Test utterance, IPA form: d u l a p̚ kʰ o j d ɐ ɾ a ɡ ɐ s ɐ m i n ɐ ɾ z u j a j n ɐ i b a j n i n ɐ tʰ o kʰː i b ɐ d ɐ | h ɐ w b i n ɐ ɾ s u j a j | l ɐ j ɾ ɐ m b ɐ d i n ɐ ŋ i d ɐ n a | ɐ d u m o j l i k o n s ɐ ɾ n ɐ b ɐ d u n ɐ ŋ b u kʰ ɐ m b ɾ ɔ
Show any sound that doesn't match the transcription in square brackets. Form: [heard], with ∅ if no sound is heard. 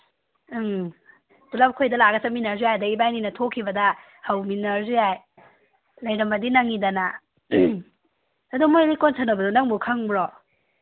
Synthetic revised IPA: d u l a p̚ kʰ o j d ɐ [l] a ɡ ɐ s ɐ m i n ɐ ɾ z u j a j [d] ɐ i b a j n i n ɐ tʰ o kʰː i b ɐ d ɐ | h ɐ w [m] i n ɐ ɾ [z] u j a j | l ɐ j ɾ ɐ m b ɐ d i n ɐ ŋ i d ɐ n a | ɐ d u m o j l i k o n s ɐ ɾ n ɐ b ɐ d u n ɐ ŋ b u kʰ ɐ [ŋ] b ɾ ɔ